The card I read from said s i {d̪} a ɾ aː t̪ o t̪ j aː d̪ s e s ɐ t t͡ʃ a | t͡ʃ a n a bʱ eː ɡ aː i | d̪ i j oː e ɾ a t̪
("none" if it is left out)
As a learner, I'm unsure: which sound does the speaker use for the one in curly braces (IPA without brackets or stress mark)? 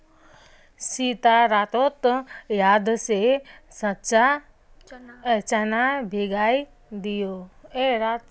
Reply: t̪